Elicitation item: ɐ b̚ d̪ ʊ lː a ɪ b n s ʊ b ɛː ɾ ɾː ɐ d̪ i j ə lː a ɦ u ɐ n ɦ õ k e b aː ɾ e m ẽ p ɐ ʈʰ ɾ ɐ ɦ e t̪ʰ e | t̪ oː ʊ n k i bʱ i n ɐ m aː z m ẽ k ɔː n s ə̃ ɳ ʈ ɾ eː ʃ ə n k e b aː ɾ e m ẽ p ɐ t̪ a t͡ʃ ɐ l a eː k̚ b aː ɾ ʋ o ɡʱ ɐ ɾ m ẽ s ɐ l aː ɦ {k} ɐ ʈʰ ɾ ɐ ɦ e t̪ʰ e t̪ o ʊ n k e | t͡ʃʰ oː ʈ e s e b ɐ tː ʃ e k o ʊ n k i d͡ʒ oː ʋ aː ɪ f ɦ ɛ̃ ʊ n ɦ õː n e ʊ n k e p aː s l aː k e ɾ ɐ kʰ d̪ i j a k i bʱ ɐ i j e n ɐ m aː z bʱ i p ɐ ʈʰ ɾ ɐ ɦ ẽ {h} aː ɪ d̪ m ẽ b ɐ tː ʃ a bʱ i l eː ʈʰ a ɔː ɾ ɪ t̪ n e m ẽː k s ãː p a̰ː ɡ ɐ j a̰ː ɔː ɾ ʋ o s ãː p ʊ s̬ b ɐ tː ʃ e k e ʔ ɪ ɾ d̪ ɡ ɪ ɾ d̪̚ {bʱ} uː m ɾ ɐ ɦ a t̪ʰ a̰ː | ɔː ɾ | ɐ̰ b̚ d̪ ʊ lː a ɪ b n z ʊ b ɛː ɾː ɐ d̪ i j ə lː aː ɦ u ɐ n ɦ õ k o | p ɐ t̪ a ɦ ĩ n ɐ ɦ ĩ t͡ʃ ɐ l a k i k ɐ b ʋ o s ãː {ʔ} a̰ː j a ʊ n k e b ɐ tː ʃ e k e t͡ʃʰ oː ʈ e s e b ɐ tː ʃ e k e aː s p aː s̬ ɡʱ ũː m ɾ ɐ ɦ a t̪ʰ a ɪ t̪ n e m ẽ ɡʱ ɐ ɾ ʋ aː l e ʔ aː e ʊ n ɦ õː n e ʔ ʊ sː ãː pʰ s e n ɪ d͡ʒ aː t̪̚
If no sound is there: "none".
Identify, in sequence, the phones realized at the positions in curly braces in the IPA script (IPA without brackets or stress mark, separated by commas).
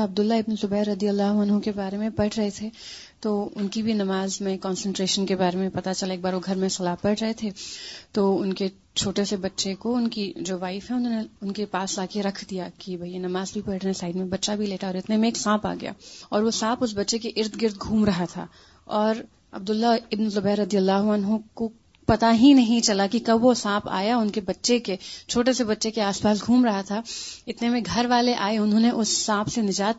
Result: p, s, ɡʱ, p